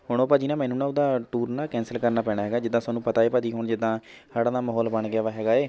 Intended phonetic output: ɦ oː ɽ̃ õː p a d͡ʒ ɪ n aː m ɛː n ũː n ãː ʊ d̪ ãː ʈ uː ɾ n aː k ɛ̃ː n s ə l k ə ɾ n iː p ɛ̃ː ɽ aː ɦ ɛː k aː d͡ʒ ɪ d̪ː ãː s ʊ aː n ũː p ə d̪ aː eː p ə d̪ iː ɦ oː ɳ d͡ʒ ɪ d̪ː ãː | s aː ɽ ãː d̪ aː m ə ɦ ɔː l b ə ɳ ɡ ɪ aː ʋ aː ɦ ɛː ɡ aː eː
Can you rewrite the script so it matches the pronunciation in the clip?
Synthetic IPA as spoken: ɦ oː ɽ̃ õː p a d͡ʒ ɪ n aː m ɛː n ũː n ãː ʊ d̪ aː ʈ uː ɾ n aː k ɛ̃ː n s ə l k ə ɾ n aː p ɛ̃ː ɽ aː ɦ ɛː ɡ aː d͡ʒ ɪ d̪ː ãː s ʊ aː n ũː p ə t̪ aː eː p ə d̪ iː ɦ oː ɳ d͡ʒ ɪ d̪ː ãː | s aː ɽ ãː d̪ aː m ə ɦ ɔː l b ə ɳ ɡ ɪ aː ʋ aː ɦ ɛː ɡ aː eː